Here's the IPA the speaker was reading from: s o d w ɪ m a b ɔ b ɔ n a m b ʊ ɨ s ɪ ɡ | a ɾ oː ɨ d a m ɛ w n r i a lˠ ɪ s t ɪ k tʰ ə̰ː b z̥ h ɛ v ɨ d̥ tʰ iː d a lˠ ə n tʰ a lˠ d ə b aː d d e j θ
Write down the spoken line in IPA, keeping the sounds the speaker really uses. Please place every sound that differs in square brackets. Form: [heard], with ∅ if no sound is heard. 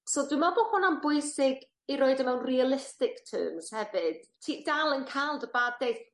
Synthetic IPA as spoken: s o d w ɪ m a b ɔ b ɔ n a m b ʊ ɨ s ɪ ɡ | [i] ɾ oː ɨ d [ə] m ɛ w n r i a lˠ ɪ s t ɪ k tʰ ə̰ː [m] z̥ h ɛ v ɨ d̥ tʰ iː d a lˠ ə n [kʰ] a lˠ d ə b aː d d e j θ